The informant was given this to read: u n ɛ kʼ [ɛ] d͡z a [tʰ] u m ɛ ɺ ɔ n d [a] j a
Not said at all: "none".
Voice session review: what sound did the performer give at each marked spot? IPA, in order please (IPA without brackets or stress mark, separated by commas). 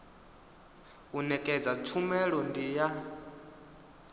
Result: ɛ, tʰ, i